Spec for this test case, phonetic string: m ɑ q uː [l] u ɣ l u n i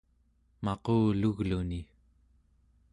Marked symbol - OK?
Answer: yes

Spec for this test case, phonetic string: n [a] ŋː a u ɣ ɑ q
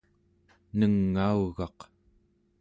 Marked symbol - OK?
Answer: no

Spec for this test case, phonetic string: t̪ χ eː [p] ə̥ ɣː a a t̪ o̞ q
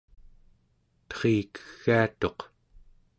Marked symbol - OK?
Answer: no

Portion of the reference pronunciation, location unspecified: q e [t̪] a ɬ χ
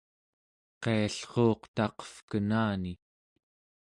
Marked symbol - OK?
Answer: no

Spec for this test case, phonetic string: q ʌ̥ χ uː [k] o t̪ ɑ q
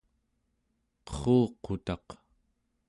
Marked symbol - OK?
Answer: no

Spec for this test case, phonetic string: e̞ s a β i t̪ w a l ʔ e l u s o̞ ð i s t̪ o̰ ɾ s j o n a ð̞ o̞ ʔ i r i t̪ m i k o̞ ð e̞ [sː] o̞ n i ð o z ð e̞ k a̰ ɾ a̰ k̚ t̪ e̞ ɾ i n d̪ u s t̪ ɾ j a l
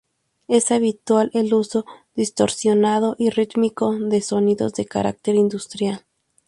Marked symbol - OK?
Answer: no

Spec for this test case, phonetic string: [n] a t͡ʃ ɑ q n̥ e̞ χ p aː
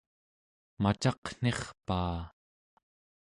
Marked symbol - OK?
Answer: no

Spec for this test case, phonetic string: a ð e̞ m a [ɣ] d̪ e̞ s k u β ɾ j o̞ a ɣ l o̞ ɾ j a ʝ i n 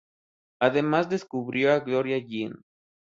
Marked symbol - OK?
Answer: no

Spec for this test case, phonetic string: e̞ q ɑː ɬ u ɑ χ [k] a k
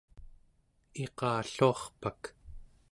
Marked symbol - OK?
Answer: no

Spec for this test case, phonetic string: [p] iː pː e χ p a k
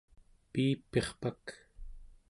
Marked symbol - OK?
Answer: yes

